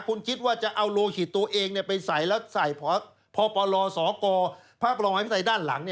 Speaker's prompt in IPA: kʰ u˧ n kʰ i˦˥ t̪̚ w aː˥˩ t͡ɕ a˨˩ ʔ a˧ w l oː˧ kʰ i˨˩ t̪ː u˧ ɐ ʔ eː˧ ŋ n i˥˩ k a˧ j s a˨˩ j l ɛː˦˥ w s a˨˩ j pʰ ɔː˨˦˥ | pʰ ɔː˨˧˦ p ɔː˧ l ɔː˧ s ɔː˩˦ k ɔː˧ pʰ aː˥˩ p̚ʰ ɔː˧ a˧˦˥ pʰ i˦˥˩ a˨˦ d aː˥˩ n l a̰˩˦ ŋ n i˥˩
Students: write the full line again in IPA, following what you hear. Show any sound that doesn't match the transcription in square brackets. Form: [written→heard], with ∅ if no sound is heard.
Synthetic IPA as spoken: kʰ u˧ n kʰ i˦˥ t̪̚ w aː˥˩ t͡ɕ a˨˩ ʔ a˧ w l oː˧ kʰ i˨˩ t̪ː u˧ ɐ ʔ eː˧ ŋ n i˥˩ [k→p] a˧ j s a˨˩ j l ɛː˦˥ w s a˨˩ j pʰ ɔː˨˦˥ | pʰ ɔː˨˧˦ p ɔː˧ l ɔː˧ s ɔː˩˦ k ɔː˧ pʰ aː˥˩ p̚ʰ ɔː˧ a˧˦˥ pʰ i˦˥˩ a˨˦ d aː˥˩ n l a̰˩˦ ŋ n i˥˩